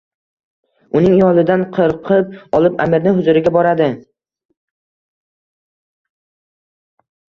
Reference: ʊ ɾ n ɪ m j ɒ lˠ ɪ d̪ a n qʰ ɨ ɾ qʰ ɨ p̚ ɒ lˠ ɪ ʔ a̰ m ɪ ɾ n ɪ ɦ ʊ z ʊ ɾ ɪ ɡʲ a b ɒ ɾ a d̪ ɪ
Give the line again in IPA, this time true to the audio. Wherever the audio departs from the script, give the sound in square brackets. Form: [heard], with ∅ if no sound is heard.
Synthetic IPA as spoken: ʊ [∅] n ɪ [ŋ] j ɒ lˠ ɪ d̪ a n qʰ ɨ ɾ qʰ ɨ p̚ ɒ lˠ ɪ [p] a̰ m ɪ ɾ n ɪ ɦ ʊ z ʊ ɾ ɪ ɡʲ a b ɒ ɾ a d̪ ɪ